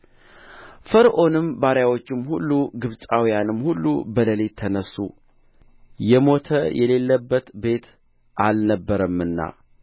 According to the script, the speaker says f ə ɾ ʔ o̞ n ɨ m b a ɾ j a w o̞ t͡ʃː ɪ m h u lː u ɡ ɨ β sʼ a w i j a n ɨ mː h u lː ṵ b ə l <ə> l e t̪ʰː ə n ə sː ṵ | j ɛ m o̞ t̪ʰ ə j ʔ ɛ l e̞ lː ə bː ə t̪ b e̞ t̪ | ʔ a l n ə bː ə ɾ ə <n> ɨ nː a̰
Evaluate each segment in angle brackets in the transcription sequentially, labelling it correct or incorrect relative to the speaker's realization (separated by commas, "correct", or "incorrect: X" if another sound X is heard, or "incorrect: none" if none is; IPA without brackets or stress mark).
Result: correct, incorrect: m